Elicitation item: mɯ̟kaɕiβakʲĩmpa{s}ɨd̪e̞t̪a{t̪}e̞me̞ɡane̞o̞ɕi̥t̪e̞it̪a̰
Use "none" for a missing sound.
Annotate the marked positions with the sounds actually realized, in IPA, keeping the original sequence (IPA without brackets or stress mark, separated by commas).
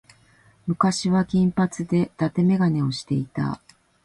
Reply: t͡s, t̪